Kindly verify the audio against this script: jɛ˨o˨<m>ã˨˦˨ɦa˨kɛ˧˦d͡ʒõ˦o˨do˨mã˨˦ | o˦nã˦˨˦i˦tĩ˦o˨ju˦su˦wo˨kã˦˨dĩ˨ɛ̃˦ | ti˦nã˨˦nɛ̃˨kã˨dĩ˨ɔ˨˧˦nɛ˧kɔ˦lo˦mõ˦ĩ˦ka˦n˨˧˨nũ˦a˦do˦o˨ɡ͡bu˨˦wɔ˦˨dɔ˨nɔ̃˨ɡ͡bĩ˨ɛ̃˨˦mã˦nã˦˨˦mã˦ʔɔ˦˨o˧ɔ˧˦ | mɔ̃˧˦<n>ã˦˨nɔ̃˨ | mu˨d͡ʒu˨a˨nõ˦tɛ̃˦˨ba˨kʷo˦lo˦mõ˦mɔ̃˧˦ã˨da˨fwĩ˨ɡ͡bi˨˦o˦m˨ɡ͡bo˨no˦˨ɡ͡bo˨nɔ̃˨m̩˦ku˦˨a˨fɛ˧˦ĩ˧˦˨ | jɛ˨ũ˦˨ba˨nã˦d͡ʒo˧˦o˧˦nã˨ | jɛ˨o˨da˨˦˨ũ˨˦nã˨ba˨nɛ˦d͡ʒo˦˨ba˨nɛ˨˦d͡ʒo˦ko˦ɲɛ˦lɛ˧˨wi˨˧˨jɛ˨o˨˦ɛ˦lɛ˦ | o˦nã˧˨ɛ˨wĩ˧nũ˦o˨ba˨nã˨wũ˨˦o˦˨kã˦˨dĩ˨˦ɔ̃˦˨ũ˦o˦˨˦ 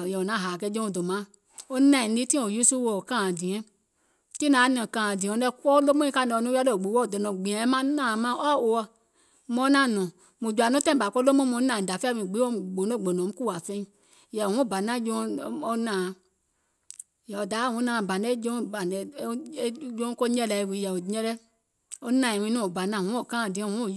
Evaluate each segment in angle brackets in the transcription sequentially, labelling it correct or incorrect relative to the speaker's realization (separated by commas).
incorrect, correct